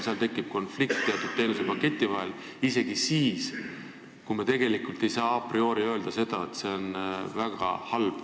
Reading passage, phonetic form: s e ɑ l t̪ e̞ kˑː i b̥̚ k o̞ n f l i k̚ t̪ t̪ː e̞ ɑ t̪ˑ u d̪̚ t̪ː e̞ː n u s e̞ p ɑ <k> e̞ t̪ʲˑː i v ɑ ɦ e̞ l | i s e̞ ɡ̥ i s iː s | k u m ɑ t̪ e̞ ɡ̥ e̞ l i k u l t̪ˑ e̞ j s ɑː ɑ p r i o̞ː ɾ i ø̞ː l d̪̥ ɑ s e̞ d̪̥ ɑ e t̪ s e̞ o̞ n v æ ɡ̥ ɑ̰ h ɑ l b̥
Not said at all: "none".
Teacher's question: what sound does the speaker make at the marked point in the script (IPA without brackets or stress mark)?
k